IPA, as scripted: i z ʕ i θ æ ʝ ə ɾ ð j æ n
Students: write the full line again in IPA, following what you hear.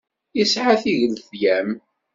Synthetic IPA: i s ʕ a θ i ʝ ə l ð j æ m

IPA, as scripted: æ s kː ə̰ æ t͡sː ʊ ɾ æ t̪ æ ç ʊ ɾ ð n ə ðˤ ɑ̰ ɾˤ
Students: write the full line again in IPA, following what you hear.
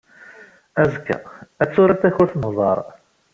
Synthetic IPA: æ z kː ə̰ æ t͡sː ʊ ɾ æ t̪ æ ç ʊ ɾ θ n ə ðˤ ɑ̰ ɾˤ

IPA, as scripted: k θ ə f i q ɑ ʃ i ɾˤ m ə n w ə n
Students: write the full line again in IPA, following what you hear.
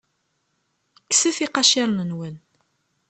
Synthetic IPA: k s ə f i q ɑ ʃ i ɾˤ n ə n w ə n

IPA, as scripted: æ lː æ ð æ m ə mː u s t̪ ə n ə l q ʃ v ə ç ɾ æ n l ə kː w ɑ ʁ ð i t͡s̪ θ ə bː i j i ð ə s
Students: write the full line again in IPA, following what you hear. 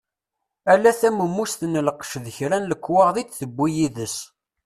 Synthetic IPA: æ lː æ θ æ m ə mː u s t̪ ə n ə l q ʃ ð ə ç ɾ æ n l ə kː w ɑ ʁ ð i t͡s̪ θ ə bː i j i ð ə s

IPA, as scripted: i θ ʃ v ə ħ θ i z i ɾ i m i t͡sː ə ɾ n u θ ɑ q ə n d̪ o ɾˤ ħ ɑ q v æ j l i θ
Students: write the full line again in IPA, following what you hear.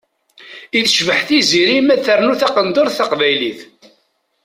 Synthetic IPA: i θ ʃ v ə ħ θ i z i ɾ i m æ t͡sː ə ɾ n u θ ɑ q ə n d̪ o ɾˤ θ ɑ q v æ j l i θ

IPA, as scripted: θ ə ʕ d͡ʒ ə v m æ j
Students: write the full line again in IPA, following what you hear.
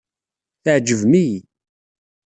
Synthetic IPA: θ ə ʕ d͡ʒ ə v m i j

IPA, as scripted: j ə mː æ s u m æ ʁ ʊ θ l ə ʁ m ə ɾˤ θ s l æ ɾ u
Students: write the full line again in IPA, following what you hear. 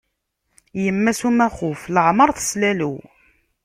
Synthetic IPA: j ə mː æ s u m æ χ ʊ f l ə ʕ m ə ɾˤ θ s l æ l u

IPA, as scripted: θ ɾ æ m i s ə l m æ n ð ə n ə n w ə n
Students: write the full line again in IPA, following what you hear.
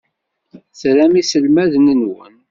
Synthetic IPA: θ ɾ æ m i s ə l m æ ð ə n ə n w ə n

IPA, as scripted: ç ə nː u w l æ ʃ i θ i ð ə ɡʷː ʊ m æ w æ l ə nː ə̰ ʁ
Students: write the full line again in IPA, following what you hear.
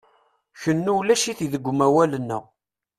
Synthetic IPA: ç ə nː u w l æ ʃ i θ i ð ə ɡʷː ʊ m æ w æ l ə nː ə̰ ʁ

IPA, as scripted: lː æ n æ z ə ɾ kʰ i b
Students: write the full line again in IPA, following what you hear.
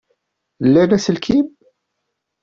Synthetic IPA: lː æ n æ s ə l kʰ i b

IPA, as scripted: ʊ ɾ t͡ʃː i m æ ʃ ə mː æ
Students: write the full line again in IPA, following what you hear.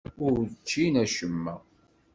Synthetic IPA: ʊ ɾ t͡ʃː i n æ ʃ ə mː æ

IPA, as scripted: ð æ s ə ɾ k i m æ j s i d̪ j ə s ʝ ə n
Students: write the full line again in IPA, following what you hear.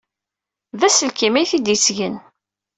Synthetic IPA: ð æ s ə l k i m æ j θ i d̪ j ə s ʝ ə n

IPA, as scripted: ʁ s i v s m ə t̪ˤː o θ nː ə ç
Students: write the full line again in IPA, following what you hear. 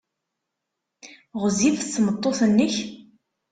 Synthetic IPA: ʁ z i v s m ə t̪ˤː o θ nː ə ç

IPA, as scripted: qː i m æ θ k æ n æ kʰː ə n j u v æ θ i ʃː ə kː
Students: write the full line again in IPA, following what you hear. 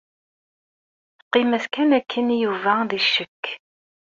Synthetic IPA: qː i m æ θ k æ n æ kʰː ə n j u v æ ð i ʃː ə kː

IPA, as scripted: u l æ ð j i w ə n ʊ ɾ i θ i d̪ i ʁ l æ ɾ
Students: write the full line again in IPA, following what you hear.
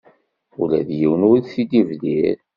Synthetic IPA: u l æ ð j i w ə n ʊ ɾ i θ i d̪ i v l i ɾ

